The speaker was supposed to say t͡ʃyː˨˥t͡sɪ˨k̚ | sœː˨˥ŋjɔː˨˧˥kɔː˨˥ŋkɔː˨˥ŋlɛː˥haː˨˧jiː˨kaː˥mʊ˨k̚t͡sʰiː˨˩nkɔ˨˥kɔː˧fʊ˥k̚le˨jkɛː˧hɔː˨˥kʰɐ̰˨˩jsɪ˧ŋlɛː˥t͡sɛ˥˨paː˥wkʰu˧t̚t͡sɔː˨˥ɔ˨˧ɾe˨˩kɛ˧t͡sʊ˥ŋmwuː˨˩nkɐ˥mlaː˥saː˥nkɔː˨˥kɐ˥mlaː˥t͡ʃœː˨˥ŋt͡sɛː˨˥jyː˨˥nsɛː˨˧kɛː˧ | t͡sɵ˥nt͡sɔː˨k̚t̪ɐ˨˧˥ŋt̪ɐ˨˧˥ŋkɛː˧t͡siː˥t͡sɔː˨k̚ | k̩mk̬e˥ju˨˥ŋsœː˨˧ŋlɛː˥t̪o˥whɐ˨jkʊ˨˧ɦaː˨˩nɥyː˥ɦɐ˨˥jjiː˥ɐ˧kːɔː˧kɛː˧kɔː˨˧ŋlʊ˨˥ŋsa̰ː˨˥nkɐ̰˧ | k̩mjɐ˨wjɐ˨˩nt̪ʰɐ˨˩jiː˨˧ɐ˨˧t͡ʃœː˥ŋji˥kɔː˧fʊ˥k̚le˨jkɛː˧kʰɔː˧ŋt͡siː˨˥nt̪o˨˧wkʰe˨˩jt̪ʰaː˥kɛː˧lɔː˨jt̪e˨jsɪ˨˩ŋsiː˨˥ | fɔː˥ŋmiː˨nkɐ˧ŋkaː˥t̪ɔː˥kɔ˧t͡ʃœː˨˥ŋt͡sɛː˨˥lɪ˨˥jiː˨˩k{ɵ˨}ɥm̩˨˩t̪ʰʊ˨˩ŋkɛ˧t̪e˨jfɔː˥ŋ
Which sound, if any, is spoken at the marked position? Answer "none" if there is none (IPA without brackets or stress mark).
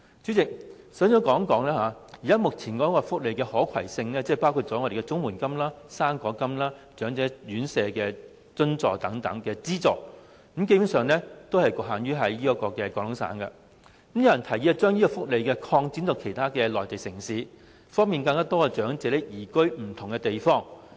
ɵ˥